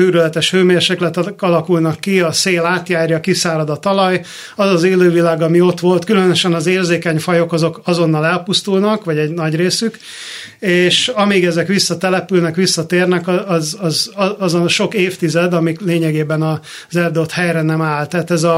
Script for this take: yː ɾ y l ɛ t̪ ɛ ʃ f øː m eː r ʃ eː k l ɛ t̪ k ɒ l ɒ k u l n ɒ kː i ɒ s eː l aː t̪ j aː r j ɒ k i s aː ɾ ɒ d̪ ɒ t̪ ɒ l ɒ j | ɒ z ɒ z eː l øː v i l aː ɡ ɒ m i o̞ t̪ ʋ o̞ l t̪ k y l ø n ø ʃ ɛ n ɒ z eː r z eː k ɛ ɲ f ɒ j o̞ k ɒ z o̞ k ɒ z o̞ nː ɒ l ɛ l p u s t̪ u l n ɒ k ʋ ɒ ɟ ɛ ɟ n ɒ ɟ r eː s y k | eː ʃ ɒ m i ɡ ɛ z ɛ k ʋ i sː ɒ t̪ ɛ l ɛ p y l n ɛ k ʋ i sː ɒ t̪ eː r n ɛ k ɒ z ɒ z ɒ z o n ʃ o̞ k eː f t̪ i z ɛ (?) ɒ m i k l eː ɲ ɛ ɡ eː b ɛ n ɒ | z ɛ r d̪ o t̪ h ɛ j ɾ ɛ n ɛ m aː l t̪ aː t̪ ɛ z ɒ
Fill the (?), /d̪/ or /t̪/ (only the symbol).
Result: d̪